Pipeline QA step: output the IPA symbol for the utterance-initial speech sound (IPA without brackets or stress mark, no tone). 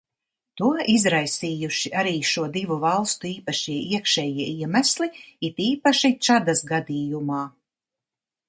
t̪